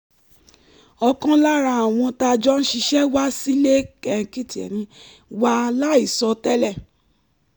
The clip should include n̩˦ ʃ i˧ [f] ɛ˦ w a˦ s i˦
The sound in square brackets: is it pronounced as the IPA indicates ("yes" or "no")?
no